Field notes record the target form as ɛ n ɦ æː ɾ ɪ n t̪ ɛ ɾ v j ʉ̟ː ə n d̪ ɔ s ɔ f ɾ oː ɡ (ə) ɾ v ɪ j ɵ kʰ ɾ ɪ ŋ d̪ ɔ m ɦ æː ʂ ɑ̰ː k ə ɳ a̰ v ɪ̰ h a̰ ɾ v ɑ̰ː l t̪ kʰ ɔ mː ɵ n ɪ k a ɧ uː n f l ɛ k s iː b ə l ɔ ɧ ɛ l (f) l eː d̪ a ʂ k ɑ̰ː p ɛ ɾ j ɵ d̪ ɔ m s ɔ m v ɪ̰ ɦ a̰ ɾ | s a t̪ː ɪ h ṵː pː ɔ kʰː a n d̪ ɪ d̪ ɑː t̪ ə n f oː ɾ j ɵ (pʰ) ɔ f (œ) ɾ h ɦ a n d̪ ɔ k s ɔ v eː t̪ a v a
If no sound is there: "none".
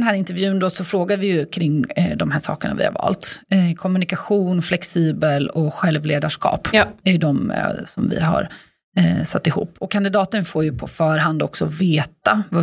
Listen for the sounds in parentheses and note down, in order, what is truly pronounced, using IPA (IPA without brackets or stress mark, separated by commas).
a, v, pʰ, œː